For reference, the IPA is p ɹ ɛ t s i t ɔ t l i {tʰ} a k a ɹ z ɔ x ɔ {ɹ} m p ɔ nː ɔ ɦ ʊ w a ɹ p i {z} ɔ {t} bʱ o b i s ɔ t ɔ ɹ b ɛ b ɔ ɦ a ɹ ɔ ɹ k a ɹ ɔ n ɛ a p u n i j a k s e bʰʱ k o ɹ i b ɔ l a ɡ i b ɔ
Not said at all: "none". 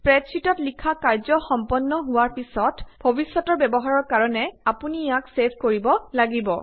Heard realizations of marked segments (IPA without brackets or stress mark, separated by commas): kʰ, none, s, t